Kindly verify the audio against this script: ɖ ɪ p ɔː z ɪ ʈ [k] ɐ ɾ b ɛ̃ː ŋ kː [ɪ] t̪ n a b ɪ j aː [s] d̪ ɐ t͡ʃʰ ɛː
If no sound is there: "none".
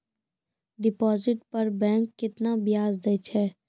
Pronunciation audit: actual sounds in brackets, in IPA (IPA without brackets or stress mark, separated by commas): p, ɪ, z